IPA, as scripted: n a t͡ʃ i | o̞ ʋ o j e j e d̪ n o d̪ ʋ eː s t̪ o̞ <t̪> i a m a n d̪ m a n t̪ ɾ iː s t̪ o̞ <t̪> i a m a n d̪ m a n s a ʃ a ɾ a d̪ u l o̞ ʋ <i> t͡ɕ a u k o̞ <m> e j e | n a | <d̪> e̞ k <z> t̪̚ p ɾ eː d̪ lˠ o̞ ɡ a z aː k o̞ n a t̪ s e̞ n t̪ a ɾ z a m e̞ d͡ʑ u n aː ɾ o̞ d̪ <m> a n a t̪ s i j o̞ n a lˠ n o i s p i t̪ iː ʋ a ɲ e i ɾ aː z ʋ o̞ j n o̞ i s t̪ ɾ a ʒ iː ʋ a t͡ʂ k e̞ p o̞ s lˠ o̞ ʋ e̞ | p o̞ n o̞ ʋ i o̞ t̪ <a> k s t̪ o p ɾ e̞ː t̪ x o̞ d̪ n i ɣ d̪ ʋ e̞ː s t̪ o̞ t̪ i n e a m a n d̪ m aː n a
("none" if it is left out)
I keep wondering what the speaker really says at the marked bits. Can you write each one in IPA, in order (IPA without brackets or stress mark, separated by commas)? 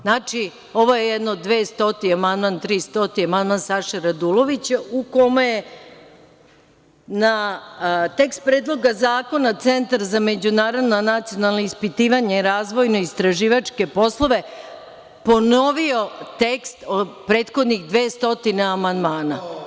t̪, t̪, i, m, t̪, s, n, e